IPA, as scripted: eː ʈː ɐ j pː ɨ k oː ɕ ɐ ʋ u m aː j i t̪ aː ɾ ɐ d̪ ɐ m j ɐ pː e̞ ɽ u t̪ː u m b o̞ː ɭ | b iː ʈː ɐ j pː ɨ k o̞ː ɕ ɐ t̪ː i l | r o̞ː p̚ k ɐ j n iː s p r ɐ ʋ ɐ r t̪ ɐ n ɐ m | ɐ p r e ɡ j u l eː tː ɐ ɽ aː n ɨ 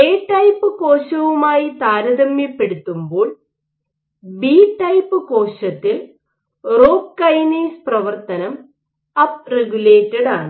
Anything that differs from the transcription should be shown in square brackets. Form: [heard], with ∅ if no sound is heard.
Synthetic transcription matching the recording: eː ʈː ɐ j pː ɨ k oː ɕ ɐ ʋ u m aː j i t̪ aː ɾ ɐ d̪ ɐ m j ɐ pː e̞ ɽ u t̪ː u m b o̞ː ɭ | b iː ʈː ɐ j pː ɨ k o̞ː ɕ ɐ t̪ː i l | r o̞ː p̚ k ɐ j n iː s p r ɐ ʋ ɐ r t̪ ɐ n ɐ m | ɐ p r e ɡ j u l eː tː ɐ ɽ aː [ɳ] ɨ